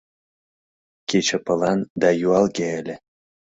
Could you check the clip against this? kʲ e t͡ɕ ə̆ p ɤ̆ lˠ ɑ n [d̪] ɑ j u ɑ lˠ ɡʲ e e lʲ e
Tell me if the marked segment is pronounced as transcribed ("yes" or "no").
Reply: yes